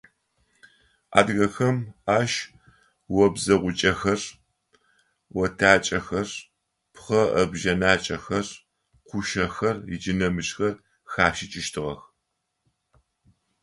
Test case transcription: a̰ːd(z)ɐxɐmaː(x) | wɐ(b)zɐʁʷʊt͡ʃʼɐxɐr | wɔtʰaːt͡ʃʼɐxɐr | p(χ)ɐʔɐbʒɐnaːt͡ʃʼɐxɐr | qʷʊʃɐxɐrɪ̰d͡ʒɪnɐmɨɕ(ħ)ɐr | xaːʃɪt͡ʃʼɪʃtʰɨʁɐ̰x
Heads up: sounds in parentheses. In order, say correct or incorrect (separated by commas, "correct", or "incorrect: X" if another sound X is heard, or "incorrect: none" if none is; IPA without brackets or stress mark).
incorrect: ɣ, incorrect: ʃ, correct, correct, incorrect: x